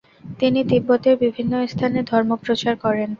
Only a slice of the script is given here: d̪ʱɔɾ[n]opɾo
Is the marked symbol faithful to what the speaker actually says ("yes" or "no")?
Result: no